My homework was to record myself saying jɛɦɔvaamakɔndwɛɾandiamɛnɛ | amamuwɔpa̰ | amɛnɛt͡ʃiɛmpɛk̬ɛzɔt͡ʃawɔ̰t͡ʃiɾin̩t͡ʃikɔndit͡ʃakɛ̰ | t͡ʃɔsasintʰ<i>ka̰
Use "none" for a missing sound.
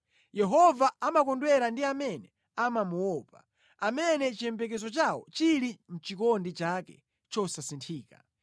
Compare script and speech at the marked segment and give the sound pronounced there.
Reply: iː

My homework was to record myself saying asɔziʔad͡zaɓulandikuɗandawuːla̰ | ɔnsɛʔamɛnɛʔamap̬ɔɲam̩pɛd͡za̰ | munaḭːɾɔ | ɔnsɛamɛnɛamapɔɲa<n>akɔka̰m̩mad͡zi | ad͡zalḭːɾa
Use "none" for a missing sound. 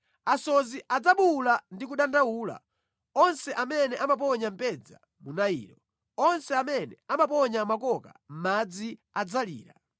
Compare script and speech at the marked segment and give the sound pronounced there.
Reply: m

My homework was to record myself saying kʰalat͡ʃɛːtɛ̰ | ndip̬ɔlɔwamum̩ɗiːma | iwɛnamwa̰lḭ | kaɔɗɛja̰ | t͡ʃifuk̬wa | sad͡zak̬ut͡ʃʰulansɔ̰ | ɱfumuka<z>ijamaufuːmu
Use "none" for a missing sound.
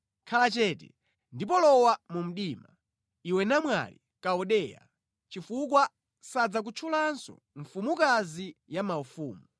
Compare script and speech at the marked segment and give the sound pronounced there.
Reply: z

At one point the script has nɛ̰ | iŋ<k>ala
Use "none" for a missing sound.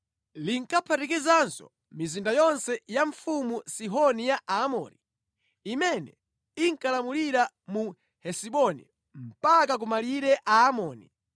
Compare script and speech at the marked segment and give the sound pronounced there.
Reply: k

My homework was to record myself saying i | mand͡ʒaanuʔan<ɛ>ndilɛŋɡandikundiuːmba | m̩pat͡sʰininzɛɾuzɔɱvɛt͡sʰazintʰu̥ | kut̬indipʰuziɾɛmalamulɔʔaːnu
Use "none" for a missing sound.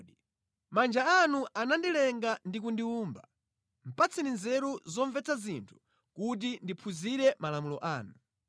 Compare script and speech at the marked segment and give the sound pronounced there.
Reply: a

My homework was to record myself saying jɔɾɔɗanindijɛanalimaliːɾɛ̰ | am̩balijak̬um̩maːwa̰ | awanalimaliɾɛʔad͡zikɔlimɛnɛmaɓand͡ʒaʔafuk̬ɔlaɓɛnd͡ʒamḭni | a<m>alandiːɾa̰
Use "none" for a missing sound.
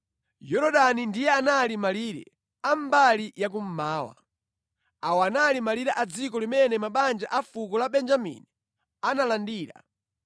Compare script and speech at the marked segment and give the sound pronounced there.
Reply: n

